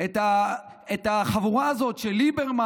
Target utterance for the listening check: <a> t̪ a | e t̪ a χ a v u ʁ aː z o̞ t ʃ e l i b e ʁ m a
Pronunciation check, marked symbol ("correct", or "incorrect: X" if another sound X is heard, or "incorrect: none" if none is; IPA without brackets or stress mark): incorrect: e